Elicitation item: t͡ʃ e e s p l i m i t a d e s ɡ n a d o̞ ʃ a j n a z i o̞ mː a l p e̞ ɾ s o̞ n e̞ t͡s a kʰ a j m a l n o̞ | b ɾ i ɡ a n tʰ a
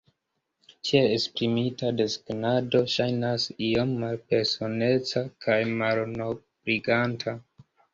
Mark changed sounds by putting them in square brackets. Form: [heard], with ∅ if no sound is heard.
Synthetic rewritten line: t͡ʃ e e s p [ɾ] i m i t a d e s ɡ n a d o̞ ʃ a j n a [s] i o̞ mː a l p e̞ ɾ s o̞ n e̞ t͡s a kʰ a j m a l n o̞ | b ɾ i ɡ a n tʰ a